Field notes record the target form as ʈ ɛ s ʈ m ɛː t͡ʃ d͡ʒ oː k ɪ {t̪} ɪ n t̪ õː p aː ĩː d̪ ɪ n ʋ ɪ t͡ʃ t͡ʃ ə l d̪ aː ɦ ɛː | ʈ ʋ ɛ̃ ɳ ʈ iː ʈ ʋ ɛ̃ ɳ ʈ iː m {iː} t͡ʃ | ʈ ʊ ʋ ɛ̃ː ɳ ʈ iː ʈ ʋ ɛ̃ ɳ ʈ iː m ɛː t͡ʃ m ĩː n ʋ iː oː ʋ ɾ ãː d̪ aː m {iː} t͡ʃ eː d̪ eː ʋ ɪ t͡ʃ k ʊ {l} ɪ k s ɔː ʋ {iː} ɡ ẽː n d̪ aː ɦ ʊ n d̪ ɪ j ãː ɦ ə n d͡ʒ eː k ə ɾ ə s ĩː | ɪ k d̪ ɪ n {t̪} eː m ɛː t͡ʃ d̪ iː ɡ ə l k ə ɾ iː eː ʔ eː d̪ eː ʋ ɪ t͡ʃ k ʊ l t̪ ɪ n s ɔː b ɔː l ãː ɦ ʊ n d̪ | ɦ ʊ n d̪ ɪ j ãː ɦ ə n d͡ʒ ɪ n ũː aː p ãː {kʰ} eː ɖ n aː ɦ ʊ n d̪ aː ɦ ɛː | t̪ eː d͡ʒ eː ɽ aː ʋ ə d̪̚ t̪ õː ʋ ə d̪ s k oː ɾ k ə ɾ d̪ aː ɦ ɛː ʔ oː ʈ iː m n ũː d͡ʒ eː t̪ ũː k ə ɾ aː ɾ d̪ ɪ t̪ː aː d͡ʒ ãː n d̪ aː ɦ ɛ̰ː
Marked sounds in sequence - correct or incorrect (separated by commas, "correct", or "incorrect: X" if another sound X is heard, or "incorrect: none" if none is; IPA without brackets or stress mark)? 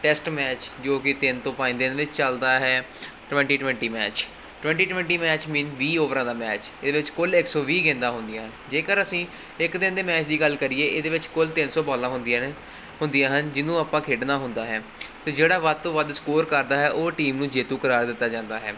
correct, incorrect: ɛː, incorrect: ɛː, correct, correct, incorrect: d̪, correct